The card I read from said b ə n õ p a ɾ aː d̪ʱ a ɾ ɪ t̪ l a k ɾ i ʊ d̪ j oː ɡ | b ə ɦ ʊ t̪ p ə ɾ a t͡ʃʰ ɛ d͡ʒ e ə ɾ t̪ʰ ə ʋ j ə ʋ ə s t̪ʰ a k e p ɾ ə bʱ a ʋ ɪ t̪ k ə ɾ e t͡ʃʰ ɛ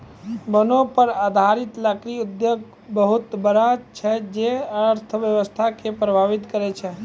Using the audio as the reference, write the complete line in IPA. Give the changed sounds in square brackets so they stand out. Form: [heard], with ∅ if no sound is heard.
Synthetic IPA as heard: b ə n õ p [ə] ɾ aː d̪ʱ a ɾ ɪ t̪ l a k ɾ i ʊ d̪ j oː ɡ | b ə ɦ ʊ t̪ [b] ə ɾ a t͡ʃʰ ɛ d͡ʒ e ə ɾ t̪ʰ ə ʋ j ə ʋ ə s t̪ʰ a k e p ɾ ə bʱ a ʋ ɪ t̪ k ə ɾ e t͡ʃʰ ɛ